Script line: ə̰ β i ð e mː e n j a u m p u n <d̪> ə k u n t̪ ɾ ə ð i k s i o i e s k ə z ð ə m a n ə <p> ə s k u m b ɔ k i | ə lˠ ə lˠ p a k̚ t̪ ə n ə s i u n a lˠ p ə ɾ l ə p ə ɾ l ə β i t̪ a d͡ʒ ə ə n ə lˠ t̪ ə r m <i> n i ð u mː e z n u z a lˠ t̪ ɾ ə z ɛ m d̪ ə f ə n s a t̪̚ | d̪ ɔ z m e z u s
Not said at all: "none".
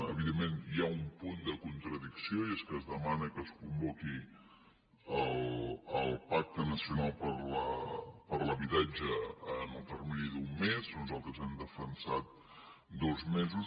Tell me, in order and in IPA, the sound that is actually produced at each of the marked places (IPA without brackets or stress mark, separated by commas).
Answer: d̪, k, i